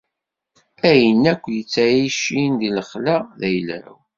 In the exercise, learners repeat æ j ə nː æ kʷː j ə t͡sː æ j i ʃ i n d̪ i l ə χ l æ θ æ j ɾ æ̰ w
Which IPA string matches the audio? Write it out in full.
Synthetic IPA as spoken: æ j ə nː æ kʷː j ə t͡sː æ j i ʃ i n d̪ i l ə χ l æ ð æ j l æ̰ w